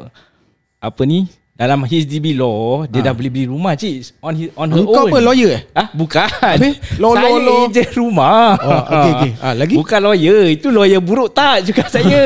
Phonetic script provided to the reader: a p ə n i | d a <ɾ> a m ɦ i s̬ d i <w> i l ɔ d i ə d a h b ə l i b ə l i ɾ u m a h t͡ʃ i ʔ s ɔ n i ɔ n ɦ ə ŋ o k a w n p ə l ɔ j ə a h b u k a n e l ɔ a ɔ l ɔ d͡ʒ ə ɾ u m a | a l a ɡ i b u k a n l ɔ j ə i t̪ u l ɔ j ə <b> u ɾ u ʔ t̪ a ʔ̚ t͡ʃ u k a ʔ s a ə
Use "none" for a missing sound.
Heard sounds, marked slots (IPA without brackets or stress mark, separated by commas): l, b, b